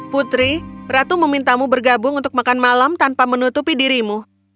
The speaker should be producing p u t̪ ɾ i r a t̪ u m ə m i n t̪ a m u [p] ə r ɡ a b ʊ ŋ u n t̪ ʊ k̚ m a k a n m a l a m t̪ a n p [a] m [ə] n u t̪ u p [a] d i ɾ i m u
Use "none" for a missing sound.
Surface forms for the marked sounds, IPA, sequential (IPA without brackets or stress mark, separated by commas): b, a, ə, i